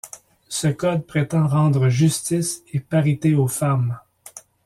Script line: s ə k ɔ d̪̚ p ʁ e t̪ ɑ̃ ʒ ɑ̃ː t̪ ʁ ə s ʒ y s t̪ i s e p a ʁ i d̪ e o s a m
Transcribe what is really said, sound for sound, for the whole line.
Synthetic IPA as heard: s ə k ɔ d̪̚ p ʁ e t̪ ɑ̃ ʁ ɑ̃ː d̪ ʁ ə ʒ y s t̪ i s e p a ʁ i t̪ e o f a m